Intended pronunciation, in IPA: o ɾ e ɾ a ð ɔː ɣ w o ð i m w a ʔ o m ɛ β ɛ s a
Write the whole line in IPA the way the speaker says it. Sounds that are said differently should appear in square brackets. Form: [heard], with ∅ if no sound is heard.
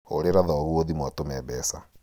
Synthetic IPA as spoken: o ɾ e ɾ a ð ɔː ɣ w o ð i m w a [t] o m ɛ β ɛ s a

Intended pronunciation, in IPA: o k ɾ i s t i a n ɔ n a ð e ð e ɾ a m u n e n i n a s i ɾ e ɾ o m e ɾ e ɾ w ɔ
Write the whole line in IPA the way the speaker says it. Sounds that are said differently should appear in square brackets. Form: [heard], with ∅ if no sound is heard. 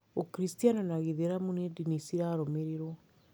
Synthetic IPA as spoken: o k ɾ i s t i a n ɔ n a [ɣ] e ð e ɾ a m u n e [d] i n [i] s i ɾ [a] ɾ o m e ɾ e ɾ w ɔ

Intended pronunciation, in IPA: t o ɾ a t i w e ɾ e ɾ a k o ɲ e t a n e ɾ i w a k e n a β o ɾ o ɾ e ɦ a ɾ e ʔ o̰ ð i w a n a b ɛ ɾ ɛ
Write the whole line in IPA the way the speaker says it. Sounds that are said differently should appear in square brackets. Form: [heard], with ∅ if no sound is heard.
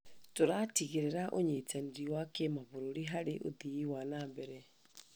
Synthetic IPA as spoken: t o ɾ a t i [ɣ] e ɾ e ɾ a [ʔ] o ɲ e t a n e ɾ i w a k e [m] a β o ɾ o ɾ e ɦ a ɾ e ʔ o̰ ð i w a n a b ɛ ɾ ɛ

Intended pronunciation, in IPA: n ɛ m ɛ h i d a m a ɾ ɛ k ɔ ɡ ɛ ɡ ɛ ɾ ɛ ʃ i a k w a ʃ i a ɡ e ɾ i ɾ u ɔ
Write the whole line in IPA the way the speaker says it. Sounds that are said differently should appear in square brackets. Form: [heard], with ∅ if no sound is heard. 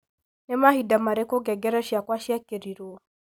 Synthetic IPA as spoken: n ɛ m [a] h i d a m a ɾ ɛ k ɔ ɡ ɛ ɡ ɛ ɾ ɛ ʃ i a k w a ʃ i a [k] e ɾ i ɾ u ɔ

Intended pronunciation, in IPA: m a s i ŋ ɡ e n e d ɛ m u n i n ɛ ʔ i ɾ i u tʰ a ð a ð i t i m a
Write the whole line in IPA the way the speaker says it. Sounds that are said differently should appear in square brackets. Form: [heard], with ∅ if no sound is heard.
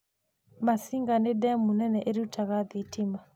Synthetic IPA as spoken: m a s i ŋ ɡ [a] n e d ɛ m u n [ɛ] n ɛ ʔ [e] ɾ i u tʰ a [ɣ] a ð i t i m a

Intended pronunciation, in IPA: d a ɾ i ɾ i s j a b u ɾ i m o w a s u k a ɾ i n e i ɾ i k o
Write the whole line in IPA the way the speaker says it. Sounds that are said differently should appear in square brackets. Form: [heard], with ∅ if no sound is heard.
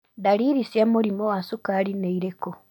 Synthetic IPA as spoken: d a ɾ i ɾ i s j a [m] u ɾ i m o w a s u k a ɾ i n e i ɾ [e] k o

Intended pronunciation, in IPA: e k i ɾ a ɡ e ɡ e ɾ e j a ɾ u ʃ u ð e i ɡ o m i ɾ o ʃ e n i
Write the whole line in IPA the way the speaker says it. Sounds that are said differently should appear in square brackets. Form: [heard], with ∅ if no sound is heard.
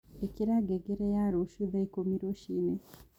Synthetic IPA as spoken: e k i ɾ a ɡ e ɡ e ɾ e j a ɾ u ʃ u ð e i [k] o m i ɾ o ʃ [i] n [e]

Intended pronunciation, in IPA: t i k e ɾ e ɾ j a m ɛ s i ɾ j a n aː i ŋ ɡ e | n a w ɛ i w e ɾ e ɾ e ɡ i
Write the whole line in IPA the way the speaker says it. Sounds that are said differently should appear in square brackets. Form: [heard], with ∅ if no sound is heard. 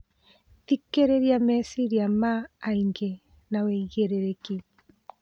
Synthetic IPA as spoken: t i k e ɾ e ɾ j a m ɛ s i ɾ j a [m] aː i ŋ ɡ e | n a w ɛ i [ɣ] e ɾ e ɾ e [k] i

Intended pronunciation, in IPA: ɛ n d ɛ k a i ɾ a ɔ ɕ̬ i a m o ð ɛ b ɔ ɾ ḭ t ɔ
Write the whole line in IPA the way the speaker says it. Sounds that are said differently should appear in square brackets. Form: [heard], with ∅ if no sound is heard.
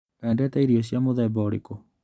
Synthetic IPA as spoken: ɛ n d ɛ [t] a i ɾ [i] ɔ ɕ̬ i a m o ð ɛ b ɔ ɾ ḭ [k] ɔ

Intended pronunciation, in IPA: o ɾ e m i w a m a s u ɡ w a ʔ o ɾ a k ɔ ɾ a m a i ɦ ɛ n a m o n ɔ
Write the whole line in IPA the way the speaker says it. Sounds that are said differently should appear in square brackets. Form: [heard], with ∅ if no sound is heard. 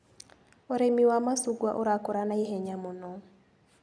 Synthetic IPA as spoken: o ɾ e m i w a m a s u ɡ w a ʔ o ɾ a k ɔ ɾ a [n] a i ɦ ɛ [ɲ] a m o n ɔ

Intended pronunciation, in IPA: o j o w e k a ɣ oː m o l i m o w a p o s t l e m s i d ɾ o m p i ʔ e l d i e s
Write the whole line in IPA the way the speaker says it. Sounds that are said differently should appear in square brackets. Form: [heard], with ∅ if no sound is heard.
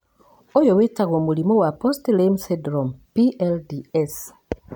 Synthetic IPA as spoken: o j o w e [t] a ɣ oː m [u] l i m o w a p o s t l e m s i d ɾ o m p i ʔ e l d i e s

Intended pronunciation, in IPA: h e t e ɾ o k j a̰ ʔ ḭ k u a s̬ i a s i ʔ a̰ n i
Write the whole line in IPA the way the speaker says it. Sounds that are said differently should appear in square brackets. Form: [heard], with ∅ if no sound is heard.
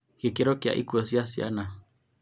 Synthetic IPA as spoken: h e [k] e ɾ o k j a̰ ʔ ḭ k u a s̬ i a s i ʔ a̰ n [a]

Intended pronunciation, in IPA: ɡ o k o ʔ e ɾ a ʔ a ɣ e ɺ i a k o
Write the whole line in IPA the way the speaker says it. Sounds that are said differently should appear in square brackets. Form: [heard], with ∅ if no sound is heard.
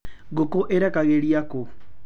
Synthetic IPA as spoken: ɡ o k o ʔ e ɾ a [k] a ɣ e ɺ i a k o

